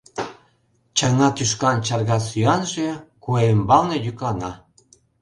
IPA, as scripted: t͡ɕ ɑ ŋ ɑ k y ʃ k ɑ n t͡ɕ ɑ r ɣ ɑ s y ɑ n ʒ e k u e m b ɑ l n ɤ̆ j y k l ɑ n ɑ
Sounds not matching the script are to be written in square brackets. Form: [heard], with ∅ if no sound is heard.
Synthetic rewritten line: t͡ɕ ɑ ŋ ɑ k y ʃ k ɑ n t͡ɕ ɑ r ɣ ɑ s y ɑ n ʒ e k u e m b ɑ l n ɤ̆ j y k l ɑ n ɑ